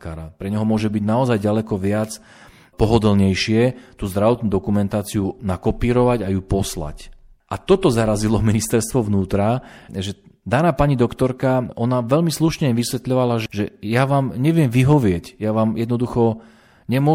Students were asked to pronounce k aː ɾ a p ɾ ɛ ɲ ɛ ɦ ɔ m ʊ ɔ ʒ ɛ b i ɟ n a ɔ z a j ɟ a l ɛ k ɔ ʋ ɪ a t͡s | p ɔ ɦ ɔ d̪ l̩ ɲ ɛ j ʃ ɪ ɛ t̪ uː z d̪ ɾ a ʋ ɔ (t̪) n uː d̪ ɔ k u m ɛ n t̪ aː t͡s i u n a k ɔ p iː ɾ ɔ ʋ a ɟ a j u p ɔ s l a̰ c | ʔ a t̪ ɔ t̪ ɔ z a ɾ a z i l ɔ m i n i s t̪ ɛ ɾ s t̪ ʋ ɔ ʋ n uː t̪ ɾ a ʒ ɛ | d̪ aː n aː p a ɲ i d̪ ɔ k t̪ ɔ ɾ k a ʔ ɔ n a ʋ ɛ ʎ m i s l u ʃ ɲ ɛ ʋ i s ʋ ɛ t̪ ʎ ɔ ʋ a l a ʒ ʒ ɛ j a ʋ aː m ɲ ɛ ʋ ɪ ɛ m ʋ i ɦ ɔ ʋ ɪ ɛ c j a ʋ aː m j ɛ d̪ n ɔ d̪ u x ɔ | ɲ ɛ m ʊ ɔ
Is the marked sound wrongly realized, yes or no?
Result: no